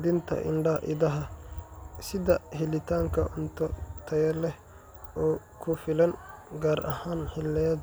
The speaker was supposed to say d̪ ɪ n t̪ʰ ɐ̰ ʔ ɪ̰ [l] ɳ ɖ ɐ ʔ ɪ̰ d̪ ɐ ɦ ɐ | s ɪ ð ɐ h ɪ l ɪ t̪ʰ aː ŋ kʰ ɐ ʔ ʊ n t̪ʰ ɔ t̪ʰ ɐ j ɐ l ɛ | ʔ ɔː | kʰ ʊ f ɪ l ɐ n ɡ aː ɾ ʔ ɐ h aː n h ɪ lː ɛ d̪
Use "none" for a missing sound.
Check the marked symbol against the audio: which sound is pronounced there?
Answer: none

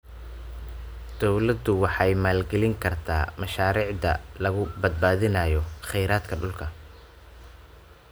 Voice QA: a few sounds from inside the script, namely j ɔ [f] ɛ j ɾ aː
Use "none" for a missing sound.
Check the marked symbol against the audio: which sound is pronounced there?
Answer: χ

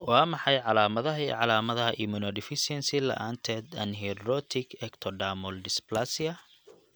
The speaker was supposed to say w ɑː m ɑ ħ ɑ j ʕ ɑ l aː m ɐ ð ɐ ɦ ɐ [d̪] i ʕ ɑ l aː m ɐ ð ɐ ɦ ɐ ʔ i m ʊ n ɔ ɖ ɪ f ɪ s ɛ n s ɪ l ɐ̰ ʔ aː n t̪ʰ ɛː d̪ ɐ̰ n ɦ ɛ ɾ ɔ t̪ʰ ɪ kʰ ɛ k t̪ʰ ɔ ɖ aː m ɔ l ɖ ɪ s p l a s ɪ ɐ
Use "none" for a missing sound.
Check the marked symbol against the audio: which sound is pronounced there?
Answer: none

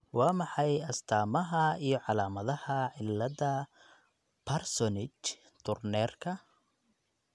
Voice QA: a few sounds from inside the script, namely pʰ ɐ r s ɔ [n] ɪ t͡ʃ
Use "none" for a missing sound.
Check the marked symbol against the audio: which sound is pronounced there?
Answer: n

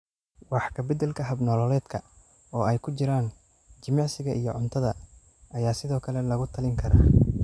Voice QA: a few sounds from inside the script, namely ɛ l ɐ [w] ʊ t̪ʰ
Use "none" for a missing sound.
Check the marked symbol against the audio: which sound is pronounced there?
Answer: ɣ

